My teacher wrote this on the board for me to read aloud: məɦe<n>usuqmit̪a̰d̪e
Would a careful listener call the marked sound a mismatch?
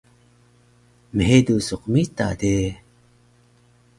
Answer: yes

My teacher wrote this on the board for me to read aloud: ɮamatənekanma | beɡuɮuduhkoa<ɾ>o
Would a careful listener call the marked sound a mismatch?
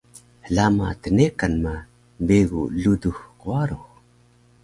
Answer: no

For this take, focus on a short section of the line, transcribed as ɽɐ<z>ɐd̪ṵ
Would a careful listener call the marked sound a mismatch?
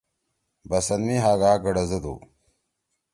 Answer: no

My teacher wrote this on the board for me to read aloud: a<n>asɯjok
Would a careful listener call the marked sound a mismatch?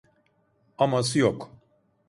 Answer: yes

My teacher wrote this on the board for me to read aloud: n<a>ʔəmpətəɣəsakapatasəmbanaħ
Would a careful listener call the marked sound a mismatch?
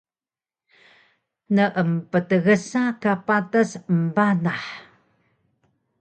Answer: yes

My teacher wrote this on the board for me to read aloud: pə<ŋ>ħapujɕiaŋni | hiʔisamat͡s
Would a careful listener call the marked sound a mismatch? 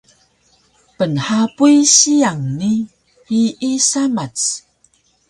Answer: yes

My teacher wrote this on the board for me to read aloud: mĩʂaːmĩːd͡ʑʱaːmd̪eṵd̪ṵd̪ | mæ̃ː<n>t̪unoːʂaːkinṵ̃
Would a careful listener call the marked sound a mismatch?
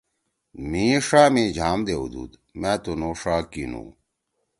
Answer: yes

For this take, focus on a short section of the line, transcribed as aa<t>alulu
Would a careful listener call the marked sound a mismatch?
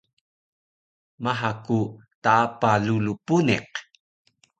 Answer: yes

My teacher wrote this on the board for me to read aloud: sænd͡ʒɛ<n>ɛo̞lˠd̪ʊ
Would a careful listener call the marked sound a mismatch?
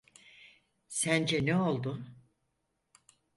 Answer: no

